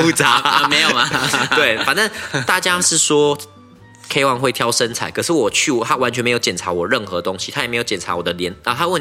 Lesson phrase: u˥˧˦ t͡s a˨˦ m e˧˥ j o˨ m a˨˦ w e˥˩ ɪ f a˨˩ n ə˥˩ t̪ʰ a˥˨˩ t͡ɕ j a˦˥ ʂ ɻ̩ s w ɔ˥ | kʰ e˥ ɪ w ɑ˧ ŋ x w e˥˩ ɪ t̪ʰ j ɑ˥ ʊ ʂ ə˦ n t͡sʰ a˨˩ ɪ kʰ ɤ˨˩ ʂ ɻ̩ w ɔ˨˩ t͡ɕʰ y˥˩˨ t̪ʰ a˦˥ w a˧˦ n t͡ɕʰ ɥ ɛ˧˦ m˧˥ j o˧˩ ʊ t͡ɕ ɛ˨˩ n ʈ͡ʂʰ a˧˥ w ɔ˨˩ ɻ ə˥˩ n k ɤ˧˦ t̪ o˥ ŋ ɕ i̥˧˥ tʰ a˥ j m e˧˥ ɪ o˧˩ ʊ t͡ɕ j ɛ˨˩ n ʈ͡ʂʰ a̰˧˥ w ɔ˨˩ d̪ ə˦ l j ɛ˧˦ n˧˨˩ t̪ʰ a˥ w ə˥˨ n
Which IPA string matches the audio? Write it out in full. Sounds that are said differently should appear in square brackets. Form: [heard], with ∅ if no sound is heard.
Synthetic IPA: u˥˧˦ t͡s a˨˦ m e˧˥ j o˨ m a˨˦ w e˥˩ ɪ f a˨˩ n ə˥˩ [t̪] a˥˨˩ t͡ɕ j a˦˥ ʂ ɻ̩ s w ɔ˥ | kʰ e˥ ɪ w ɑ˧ ŋ x w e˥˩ ɪ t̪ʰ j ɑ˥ ʊ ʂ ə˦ n t͡sʰ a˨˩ ɪ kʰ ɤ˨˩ ʂ ɻ̩ w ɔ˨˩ t͡ɕʰ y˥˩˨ t̪ʰ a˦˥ w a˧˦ n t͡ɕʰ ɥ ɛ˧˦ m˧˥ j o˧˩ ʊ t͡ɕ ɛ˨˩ n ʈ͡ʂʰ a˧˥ w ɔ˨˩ ɻ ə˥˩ n [x] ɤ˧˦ t̪ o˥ ŋ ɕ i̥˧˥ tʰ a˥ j m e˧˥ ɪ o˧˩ ʊ t͡ɕ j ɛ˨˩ n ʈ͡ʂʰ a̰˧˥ w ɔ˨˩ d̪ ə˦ l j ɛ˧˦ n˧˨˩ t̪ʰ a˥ w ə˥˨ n